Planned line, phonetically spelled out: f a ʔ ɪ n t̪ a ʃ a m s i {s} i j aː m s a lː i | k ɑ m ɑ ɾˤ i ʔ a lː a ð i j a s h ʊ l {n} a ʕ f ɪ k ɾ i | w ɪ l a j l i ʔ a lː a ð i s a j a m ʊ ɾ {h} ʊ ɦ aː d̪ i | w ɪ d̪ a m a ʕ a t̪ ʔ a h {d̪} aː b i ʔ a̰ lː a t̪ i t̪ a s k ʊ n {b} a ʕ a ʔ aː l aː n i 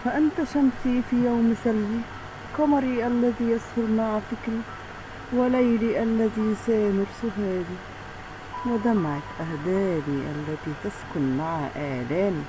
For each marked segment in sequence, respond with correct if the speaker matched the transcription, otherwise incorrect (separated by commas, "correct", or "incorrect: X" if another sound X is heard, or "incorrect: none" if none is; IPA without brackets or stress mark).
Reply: incorrect: f, incorrect: m, incorrect: s, correct, incorrect: m